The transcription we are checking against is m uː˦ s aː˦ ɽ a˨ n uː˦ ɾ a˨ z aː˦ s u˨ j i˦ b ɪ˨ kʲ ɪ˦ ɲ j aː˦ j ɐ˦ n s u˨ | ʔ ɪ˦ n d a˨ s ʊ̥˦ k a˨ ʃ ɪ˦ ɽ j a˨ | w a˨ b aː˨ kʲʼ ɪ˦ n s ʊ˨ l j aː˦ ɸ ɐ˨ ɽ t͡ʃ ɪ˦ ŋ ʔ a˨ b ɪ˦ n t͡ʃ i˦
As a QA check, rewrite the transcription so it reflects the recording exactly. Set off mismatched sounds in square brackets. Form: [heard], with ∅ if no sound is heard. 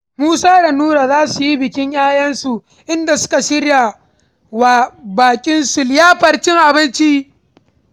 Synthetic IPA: m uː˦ s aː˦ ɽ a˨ n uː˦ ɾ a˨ z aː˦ s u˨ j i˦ b ɪ˨ kʲ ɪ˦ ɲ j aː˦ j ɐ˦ n s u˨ | ʔ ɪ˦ n d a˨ s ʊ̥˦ k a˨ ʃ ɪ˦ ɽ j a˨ | w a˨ b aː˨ kʲʼ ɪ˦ n s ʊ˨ l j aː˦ ɸ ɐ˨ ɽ t͡ʃ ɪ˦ ŋ ʔ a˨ b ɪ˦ n t͡ʃ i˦